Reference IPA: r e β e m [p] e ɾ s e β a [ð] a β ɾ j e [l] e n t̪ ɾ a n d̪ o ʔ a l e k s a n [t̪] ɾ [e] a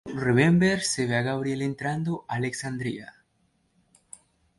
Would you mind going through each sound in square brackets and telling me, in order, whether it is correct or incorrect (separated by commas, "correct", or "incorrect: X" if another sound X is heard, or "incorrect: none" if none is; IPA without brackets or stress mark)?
incorrect: b, incorrect: ɣ, correct, incorrect: d̪, incorrect: i